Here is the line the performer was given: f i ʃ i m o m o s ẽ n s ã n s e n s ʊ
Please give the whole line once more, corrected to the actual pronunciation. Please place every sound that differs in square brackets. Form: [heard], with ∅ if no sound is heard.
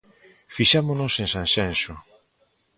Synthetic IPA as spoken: f i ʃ [a] m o [n] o s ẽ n s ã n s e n s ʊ